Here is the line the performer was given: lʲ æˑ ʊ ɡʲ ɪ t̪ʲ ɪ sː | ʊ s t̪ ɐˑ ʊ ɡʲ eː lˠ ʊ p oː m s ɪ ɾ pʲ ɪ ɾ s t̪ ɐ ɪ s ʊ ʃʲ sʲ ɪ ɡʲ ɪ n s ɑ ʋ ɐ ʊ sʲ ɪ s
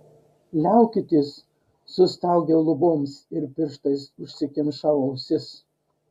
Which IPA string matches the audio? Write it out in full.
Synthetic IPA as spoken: lʲ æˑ ʊ kʲ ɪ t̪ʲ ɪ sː | ʊ s t̪ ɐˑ ʊ ɡʲ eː lˠ ʊ b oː m s ɪ ɾ pʲ ɪ ɾ ʃ t̪ ɐ ɪ s ʊ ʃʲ sʲ ɪ kʲ ɪ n ʃ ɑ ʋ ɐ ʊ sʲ ɪ s

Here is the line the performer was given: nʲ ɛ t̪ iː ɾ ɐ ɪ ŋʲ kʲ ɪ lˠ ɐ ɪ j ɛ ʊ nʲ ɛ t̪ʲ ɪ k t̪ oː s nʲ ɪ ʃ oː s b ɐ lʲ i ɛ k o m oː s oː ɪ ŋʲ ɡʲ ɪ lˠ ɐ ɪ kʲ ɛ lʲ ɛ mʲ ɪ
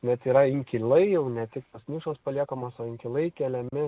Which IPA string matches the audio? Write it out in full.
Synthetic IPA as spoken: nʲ ɛ t̪ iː ɾ ɐ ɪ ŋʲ kʲ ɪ lˠ ɐ ɪ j ɛ ʊ nʲ ɛ t̪ʲ ɪ k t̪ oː s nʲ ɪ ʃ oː s p ɐ lʲ i ɛ k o m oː s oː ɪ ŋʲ kʲ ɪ lˠ ɐ ɪ kʲ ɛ lʲ ɛ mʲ ɪ

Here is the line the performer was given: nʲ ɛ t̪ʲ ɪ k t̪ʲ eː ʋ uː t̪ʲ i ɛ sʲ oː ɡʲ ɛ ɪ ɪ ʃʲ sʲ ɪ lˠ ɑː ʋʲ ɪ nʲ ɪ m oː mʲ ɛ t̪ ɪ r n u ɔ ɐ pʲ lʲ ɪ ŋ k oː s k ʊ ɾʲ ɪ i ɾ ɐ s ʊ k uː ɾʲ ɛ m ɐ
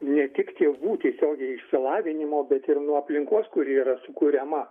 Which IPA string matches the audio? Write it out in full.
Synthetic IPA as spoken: nʲ ɛ t̪ʲ ɪ k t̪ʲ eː ʋ uː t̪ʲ i ɛ sʲ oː ɡʲ ɛ ɪ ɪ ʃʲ sʲ ɪ lˠ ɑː ʋʲ ɪ nʲ ɪ m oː bʲ ɛ t̪ ɪ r n u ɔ ɐ pʲ lʲ ɪ ŋ k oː s k ʊ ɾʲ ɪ i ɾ ɐ s ʊ k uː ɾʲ ɛ m ɐ

